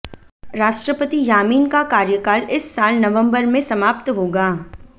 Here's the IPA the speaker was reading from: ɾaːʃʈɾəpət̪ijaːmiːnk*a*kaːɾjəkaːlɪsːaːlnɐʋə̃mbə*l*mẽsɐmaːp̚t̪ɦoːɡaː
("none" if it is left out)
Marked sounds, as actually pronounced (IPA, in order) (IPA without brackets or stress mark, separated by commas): a, ɾ